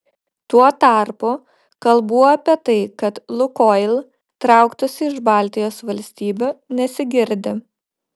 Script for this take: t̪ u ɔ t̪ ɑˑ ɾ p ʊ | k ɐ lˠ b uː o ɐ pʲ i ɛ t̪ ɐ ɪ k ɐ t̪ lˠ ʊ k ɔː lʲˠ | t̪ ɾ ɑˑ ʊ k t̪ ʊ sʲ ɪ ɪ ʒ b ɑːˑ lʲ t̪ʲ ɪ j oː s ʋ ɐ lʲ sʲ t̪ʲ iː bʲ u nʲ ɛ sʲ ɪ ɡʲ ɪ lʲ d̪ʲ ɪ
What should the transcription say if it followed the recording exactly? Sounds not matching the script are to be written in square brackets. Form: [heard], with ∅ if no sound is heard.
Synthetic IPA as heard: t̪ u ɔ t̪ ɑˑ ɾ p ʊ | k ɐ lˠ b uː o ɐ pʲ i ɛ t̪ ɐ ɪ k ɐ t̪ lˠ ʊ k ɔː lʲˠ | t̪ ɾ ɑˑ ʊ k t̪ ʊ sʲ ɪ ɪ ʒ b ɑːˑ lʲ t̪ʲ ɪ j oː s ʋ ɐ lʲ sʲ t̪ʲ iː bʲ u nʲ ɛ sʲ ɪ ɡʲ ɪ [ɾʲ] d̪ʲ ɪ